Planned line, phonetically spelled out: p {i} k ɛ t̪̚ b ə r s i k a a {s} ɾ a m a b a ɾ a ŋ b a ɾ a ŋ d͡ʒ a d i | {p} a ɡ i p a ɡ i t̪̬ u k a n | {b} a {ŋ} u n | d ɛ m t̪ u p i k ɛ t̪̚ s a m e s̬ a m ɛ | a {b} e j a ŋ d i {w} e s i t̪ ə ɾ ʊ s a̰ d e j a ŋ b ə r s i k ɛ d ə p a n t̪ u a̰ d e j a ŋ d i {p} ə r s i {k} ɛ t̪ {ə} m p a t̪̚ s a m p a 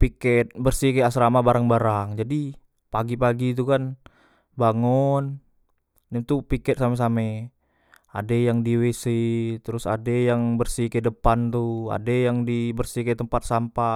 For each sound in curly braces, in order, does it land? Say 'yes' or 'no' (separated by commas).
yes, yes, yes, yes, yes, no, yes, no, yes, yes